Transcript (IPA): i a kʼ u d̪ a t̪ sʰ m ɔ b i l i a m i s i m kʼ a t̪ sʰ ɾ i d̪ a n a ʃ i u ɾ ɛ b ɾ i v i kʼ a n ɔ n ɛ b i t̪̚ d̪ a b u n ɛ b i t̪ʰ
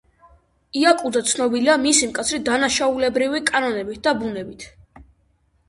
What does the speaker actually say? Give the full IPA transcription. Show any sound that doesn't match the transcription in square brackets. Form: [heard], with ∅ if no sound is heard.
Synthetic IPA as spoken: i a kʼ u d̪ a t̪ sʰ [n] ɔ b i l i a m i s i m kʼ a t̪ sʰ ɾ i d̪ a n a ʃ [a] u [l] ɛ b ɾ i v i kʼ a n ɔ n ɛ b i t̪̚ d̪ a b u n ɛ b i t̪ʰ